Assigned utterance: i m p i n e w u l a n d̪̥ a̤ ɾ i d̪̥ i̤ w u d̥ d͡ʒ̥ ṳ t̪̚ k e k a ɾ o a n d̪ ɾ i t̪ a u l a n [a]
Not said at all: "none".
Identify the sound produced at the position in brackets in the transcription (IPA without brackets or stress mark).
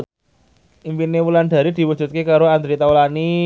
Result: i